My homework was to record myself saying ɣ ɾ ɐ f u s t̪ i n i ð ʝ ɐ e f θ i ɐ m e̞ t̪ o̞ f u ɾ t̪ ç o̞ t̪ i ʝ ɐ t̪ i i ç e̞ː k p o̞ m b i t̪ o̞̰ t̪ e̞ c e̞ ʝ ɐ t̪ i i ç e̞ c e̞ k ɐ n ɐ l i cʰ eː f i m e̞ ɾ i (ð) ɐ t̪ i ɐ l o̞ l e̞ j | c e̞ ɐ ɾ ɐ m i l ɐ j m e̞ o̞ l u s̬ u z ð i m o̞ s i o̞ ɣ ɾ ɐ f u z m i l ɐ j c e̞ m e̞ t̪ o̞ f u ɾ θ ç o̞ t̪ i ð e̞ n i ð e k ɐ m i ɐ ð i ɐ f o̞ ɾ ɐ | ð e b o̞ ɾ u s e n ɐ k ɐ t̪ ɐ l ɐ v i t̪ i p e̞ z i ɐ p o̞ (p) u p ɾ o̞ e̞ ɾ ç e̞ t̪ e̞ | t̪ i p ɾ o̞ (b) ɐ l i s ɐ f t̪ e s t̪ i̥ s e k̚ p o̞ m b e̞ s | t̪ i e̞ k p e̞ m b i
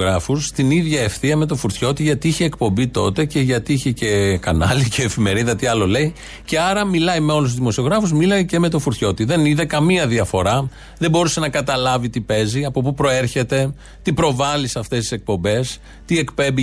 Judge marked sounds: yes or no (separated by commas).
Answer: yes, yes, no